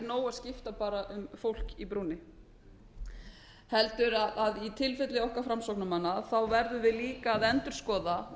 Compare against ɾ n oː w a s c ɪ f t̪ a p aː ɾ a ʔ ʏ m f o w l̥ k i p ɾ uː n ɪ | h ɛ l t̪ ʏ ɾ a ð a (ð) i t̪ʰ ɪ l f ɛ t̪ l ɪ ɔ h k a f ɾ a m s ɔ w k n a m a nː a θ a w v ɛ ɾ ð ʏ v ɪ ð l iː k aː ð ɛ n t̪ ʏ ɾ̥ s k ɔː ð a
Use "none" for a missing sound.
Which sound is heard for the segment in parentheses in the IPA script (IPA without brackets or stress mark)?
ð